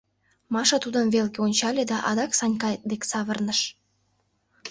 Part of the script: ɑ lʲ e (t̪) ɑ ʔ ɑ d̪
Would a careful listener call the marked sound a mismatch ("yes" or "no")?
yes